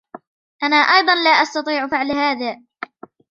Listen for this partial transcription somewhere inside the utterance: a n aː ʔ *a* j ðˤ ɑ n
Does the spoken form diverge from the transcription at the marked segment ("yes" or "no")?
yes